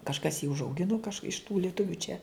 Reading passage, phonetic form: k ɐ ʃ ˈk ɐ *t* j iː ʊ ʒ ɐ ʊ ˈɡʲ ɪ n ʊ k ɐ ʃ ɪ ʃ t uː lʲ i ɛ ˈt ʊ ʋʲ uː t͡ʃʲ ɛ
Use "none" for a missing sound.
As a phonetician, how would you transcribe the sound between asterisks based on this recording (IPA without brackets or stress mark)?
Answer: s